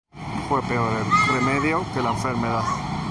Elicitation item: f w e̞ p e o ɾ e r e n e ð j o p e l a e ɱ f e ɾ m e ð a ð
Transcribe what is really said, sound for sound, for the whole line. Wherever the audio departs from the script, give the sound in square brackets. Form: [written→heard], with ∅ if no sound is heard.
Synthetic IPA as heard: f w e̞ p e o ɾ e r e [n→m] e ð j o [p→k] e l a e ɱ f e ɾ m e ð a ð